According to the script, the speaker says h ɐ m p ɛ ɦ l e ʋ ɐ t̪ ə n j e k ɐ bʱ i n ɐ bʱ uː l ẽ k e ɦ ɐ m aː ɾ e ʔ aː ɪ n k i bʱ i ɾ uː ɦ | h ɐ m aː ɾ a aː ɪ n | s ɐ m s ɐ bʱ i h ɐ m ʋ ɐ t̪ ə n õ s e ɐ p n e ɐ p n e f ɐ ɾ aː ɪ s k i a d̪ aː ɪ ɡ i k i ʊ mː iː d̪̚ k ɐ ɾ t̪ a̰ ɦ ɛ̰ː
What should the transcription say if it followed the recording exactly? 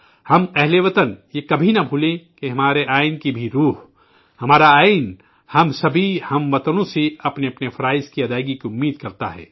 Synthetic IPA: h ɐ m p ɛ ɦ l e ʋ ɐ t̪ ə n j e k ɐ bʱ i n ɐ bʱ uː l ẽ k e ɦ ɐ m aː ɾ e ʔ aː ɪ n k i bʱ i ɾ uː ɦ | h ɐ m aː ɾ a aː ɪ n | h ɐ m s ɐ bʱ i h ɐ m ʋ ɐ t̪ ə n õ s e ɐ p n e ɐ p n e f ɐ ɾ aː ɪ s k i ɐ d̪ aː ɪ ɡ i k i ʊ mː iː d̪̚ k ɐ ɾ t̪ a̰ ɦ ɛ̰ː